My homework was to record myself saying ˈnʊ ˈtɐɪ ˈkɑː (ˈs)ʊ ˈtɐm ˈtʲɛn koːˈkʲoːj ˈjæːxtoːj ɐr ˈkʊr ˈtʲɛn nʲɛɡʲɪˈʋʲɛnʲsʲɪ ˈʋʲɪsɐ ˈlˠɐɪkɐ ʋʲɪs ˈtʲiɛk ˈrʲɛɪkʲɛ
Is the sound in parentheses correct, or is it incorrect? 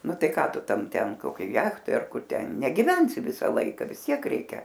incorrect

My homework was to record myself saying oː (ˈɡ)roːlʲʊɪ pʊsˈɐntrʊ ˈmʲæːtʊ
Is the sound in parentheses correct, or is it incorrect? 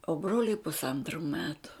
incorrect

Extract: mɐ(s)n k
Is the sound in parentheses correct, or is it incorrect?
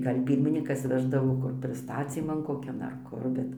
incorrect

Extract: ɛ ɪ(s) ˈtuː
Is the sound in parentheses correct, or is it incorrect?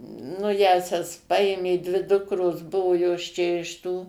incorrect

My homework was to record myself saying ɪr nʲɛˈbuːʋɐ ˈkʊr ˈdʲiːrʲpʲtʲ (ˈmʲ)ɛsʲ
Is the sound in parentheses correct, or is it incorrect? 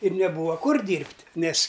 incorrect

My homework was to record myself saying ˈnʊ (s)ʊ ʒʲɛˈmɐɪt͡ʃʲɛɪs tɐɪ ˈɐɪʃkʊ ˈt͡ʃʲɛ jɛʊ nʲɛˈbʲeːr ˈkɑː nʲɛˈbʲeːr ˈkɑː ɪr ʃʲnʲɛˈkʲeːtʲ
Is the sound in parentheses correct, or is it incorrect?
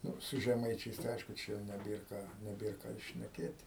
correct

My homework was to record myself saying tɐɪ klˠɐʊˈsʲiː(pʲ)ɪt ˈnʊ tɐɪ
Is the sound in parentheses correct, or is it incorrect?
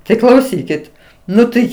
incorrect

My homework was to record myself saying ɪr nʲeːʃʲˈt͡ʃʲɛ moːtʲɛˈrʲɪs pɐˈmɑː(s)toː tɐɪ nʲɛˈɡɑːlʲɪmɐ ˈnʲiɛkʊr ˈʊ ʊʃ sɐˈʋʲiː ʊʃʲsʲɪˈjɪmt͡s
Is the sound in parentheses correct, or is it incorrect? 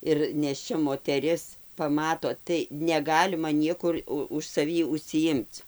incorrect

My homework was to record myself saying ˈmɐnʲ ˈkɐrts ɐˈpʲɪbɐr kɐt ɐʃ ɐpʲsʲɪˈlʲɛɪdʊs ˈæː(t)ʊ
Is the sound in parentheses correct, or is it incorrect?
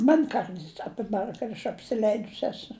incorrect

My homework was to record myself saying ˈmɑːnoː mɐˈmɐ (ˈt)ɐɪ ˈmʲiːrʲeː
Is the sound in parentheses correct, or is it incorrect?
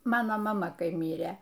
incorrect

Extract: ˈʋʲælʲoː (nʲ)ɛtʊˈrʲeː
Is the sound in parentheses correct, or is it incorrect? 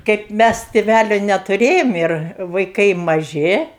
correct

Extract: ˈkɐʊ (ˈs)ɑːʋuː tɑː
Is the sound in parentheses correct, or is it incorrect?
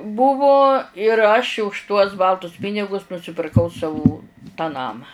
correct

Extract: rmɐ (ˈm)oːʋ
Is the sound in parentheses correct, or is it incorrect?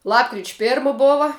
incorrect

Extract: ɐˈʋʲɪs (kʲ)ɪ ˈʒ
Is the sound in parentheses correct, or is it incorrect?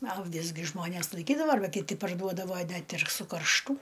incorrect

